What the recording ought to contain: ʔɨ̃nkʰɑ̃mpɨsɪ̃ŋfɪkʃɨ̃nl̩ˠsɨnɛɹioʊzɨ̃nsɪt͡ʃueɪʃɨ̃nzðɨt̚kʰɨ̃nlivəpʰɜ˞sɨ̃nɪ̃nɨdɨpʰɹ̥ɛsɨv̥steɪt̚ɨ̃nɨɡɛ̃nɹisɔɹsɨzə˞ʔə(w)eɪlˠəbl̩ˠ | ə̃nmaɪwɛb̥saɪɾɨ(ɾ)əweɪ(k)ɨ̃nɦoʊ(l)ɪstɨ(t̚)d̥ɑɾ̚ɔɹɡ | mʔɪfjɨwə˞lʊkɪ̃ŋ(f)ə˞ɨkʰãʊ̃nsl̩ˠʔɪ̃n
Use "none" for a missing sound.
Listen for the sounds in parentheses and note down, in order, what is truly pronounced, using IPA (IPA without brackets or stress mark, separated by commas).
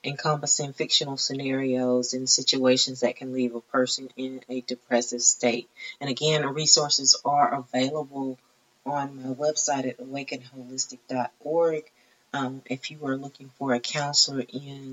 v, ɾ, k, l, k̚, f